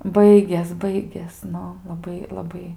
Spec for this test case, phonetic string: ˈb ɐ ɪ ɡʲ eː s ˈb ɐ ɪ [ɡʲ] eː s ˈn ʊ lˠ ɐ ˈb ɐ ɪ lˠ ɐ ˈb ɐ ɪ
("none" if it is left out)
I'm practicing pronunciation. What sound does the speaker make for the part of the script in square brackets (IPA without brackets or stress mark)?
ɡʲ